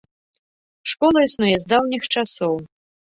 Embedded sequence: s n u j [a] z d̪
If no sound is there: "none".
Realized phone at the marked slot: ɛ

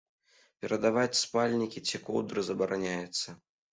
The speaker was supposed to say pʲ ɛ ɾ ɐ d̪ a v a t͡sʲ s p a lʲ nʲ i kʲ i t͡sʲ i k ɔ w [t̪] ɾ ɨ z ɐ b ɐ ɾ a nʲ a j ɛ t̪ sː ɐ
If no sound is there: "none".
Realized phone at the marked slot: d̪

